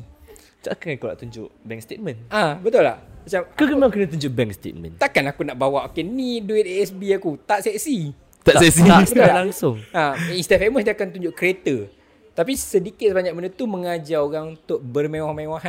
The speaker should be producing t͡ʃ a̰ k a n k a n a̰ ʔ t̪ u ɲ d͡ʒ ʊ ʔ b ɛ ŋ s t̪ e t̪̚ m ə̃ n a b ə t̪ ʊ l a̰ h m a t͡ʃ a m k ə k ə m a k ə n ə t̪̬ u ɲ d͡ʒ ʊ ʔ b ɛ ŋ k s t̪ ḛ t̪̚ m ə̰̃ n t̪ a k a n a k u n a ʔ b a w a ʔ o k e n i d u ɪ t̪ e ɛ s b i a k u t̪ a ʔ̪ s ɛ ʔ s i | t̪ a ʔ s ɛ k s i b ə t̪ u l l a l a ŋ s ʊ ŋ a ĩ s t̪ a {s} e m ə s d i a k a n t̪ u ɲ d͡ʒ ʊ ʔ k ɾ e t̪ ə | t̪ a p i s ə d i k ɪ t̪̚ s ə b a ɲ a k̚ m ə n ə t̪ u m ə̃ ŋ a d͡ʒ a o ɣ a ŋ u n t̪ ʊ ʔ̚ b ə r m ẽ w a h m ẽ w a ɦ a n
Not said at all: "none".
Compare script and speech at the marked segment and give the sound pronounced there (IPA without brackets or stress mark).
f